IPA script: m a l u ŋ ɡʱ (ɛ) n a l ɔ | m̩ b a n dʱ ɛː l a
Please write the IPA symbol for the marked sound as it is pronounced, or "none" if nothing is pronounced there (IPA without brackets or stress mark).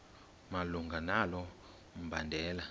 a